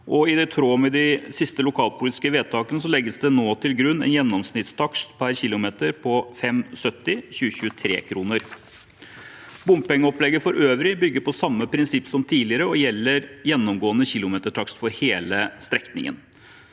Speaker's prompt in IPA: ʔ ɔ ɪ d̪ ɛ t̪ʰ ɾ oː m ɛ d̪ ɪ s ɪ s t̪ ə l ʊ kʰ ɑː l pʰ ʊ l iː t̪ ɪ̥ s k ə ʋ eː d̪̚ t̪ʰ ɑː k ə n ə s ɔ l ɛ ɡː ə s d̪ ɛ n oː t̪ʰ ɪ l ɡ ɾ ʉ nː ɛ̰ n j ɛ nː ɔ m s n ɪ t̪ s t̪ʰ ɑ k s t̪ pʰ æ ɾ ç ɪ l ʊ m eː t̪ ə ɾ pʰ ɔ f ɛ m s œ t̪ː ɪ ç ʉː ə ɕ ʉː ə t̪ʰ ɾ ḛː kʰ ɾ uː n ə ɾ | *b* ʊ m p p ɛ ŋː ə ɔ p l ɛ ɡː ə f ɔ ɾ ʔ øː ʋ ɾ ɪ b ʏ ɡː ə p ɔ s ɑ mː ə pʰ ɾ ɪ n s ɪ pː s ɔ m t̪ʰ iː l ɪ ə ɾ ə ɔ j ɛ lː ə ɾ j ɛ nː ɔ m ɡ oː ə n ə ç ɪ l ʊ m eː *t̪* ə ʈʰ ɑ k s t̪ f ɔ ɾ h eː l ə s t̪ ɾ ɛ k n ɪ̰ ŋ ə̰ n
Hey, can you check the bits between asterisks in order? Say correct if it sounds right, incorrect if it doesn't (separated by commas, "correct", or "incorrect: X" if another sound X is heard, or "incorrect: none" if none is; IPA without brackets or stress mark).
correct, correct